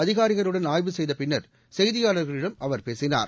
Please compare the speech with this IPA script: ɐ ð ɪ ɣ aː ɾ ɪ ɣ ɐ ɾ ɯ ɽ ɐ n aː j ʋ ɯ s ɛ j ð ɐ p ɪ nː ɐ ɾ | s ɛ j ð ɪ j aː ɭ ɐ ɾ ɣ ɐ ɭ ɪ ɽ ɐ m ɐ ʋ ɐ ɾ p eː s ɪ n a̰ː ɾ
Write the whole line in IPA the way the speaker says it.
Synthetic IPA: ɐ ð ɪ ɣ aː ɾ ɪ ɣ ɐ ɾ ɯ ɽ ɐ n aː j ʋ ɯ s ɛ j ð ɐ p ɪ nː ɐ ɾ | s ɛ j ð ɪ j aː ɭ ɐ ɾ ɣ ɐ ɭ ɪ ɽ ɐ m ɐ ʋ ɐ ɾ p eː s ɪ n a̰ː ɾ

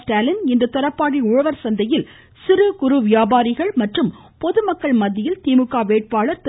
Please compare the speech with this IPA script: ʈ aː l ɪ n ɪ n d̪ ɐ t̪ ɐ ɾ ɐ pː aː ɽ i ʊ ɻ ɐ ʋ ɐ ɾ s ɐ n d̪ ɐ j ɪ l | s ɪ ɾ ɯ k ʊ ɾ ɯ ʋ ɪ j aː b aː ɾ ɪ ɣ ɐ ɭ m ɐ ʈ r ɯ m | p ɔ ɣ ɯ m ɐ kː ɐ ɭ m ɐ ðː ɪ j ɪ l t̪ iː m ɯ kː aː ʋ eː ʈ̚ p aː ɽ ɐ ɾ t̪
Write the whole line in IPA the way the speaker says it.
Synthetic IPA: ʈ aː l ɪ n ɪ n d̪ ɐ t̪ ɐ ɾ ɐ pː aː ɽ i ʊ ɻ ɐ ʋ ɐ ɾ s ɐ n d̪ ɐ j ɪ l | s ɪ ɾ ɯ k ʊ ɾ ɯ ʋ ɪ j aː b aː ɾ ɪ ɣ ɐ ɭ m ɐ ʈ r ɯ m | p ɔ ð ɯ m ɐ kː ɐ ɭ m ɐ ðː ɪ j ɪ l t̪ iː m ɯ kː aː ʋ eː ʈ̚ p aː ɭ ɐ ɾ t̪

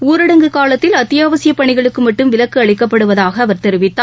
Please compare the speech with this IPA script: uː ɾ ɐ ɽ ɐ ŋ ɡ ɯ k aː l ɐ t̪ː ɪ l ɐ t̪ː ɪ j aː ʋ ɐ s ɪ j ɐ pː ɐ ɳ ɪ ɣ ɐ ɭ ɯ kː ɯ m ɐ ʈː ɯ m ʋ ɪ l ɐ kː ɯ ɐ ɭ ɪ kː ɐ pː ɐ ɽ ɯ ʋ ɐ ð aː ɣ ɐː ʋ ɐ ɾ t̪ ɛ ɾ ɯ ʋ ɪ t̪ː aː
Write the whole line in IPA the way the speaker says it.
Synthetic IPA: uː ɾ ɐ ɽ ɐ ŋ ɡ ɯ k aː l ɐ t̪ː ɪ l ɐ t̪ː ɪ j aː ʋ ɐ s ɪ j ɐ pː ɐ ɳ ɪ ɣ ɐ ɭ ɯ kː ɯ m ɐ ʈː ɯ m ʋ ɪ l ɐ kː ɯ ɐ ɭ ɪ kː ɐ pː ɐ ɽ ɯ ʋ ɐ ð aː ɣ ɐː ʋ ɐ ɾ t̪ ɛ ɾ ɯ ʋ ɪ t̪ː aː

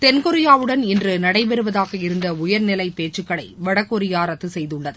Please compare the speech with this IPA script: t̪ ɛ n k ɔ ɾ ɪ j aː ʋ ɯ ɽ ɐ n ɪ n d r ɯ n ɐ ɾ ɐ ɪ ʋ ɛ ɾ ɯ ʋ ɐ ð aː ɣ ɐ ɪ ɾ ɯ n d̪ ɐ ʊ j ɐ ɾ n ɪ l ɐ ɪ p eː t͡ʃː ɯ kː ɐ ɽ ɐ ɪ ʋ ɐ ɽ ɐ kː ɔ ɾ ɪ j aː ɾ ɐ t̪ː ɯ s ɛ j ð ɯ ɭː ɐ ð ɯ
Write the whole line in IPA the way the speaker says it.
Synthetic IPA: t̪ ɛ n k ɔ ɾ ɪ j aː ʋ ɯ ɽ ɐ n ɪ n d r ɯ n ɐ ɽ ɐ ɪ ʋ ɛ ɾ ɯ ʋ ɐ ð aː ɣ ɐ ɪ ɾ ɯ n d̪ ɐ ʊ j ɐ ɾ n ɪ l ɐ ɪ p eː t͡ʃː ɯ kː ɐ ɭ ɐ ɪ ʋ ɐ ɽ ɐ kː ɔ ɾ ɪ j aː ɾ ɐ t̪ː ɯ s ɛ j ð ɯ ɭː ɐ ð ɯ

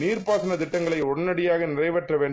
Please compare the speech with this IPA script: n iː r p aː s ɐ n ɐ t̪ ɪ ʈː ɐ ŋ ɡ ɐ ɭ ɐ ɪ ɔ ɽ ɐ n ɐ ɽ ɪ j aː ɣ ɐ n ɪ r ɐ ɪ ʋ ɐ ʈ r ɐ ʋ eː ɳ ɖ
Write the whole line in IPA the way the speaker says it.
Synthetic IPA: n iː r p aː s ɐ n ɐ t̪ ɪ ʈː ɐ ŋ ɡ ɐ ɭ ɐ ɪ ɔ ɽ ɐ n ɐ ɽ ɪ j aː ɣ ɐ n ɪ r ɐ ɪ ʋ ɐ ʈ r ɐ ʋ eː ɳ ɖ

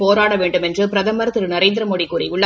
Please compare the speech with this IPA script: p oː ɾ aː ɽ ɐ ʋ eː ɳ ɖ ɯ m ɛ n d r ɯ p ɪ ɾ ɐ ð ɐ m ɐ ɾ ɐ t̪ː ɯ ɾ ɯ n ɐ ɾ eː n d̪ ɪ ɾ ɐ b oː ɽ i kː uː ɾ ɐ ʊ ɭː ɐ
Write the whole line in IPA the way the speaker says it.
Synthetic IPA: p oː ɾ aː ɽ ɐ ʋ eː ɳ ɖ ɯ m ɛ n d r ɯ p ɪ ɾ ɐ ð ɐ m ɐ ɾ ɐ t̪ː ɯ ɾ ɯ n ɐ ɾ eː n d̪ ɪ ɾ ɐ m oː ɽ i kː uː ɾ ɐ ʊ ɭː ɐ

